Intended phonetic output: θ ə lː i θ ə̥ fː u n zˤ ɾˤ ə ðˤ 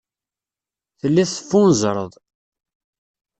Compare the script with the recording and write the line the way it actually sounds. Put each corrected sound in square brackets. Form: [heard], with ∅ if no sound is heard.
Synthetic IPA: θ ə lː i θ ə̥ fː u n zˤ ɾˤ ə ðˤ